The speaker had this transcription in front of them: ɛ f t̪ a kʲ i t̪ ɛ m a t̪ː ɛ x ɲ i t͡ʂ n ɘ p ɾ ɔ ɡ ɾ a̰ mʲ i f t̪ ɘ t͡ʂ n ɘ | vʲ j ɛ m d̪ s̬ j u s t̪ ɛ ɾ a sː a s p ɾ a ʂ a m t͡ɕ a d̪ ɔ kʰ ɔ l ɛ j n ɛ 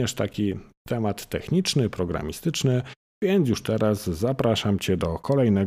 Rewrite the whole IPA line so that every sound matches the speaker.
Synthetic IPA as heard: ɛ ʂ t̪ a kʲ i t̪ ɛ m a t̪ː ɛ x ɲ i t͡ʂ n ɘ p ɾ ɔ ɡ ɾ a̰ mʲ i s t̪ ɘ t͡ʂ n ɘ | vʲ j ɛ n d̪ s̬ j u ʂ t̪ ɛ ɾ a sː a p ɾ a ʂ a m t͡ɕ ɛ d̪ ɔ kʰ ɔ l ɛ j n ɛ